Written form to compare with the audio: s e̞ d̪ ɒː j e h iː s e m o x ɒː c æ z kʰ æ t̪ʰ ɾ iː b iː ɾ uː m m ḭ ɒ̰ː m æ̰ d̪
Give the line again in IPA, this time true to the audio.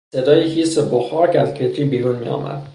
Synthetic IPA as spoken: s e̞ d̪ ɒː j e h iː s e b o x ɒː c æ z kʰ e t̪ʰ ɾ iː b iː ɾ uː n m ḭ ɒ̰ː m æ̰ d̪